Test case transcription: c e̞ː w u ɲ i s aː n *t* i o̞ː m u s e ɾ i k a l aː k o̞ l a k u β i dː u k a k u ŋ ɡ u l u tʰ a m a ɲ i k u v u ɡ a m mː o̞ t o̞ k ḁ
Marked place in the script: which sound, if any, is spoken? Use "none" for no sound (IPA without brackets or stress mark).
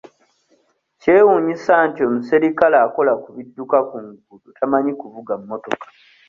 t